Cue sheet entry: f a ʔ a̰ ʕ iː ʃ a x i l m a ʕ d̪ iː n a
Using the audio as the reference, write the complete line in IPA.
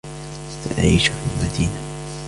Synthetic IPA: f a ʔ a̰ ʕ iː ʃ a f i l m a d̪ iː n a